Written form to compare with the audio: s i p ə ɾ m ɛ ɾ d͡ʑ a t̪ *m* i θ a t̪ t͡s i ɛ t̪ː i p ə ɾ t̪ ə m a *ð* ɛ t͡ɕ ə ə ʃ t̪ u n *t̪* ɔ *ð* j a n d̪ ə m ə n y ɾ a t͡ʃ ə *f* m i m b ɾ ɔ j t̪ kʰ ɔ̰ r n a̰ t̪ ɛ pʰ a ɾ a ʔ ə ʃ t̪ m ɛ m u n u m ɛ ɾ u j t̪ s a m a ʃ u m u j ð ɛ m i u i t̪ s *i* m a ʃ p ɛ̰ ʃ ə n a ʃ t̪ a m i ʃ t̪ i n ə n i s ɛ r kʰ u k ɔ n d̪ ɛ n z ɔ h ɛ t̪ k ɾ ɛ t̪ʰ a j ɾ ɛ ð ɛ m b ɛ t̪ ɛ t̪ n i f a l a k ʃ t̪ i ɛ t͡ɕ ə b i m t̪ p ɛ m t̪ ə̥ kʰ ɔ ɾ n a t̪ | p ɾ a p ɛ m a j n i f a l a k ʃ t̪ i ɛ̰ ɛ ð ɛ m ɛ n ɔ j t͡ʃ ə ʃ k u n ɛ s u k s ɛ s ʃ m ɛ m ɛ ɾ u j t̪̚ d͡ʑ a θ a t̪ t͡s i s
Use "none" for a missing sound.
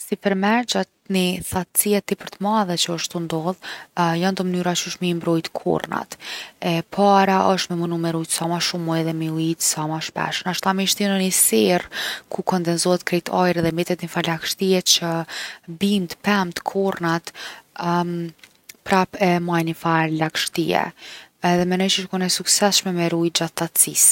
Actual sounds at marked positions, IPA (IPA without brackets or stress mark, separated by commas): n, ð, d̪, ð, ʃ, a